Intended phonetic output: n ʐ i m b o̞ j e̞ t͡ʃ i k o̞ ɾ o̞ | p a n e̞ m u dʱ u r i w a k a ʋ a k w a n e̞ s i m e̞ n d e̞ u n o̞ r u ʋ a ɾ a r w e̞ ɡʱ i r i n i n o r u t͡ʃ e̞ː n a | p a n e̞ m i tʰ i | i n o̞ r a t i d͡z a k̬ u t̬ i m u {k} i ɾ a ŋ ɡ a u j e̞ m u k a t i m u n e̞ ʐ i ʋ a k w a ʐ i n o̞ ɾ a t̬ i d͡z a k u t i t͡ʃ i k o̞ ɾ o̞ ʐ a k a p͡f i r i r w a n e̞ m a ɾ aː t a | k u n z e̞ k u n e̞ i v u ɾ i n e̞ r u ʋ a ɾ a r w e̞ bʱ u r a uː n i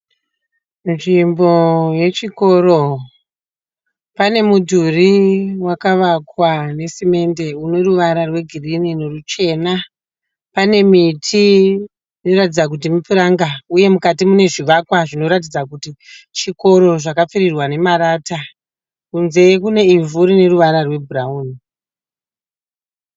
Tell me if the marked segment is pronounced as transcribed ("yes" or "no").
no